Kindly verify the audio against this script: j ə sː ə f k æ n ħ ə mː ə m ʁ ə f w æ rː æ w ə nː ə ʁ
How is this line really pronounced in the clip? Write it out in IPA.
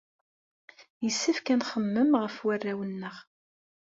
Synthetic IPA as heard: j ə sː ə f k æ n χ ə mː ə m ʁ ə f w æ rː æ w ə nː ə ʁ